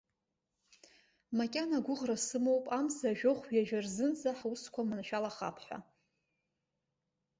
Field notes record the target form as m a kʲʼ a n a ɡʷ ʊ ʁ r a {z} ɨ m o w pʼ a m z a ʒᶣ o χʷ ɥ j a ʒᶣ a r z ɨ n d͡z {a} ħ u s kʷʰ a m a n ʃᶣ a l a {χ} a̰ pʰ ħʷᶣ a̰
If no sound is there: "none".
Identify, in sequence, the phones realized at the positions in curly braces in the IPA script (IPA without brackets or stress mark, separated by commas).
s, a, χ